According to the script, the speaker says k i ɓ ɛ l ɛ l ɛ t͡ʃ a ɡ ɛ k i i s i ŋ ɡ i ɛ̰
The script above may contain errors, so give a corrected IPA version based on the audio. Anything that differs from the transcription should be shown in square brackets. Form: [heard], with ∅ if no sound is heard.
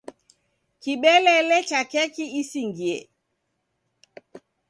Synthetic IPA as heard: k i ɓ ɛ l ɛ l ɛ t͡ʃ a [k] ɛ k i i s i ŋ ɡ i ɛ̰